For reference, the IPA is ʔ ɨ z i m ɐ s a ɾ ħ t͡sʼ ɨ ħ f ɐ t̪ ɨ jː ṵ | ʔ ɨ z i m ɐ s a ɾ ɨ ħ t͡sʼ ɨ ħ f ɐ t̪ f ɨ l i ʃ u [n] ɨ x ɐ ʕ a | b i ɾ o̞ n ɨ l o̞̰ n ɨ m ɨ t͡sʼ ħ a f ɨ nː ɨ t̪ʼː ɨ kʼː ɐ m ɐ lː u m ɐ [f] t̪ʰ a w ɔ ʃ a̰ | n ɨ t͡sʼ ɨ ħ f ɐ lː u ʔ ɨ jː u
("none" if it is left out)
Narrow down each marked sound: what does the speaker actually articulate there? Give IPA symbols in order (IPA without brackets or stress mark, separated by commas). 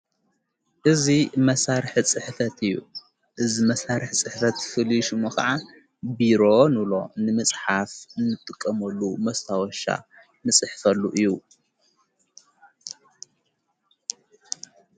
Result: m, s